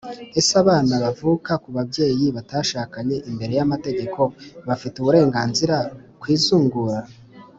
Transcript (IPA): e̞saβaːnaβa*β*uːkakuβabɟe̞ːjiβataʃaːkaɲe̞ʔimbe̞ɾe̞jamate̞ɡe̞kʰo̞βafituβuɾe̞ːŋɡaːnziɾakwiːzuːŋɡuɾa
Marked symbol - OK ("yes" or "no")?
no